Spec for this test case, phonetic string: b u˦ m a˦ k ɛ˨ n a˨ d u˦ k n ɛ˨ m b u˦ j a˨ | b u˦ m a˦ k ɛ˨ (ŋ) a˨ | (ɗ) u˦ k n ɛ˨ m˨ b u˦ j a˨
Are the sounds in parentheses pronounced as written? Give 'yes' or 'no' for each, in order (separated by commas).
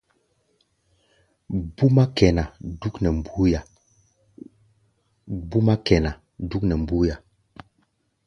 no, no